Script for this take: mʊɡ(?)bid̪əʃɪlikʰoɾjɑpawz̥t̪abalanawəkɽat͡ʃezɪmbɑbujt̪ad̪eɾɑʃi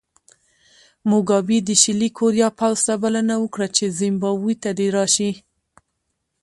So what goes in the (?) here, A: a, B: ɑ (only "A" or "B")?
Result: B